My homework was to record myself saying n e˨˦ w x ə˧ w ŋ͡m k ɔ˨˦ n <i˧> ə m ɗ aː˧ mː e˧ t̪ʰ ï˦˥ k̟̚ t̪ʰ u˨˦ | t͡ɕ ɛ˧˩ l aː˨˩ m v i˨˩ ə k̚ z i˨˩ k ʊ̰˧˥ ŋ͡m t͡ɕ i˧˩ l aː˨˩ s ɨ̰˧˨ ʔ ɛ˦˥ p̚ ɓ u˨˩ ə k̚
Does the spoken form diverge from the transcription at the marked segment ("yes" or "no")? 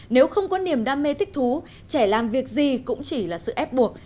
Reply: yes